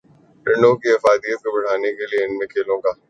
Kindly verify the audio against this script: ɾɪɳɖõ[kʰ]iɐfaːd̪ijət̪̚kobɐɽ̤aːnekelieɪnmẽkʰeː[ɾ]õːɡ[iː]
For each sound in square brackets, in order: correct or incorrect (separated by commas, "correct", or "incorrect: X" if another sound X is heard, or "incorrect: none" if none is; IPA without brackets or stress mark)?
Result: incorrect: k, incorrect: l, incorrect: aː